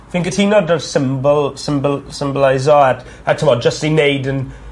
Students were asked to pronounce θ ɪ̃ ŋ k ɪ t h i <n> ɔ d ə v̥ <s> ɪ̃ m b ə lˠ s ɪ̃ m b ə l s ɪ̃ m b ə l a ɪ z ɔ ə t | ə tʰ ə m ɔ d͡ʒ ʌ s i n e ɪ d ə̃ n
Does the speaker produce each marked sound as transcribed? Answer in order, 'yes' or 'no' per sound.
yes, yes

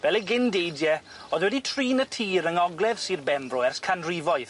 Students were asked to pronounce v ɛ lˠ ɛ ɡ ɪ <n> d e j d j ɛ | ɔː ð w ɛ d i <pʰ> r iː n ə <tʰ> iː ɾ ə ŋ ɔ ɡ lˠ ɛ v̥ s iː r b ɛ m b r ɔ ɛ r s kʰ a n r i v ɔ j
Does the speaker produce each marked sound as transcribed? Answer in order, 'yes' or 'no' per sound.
yes, no, yes

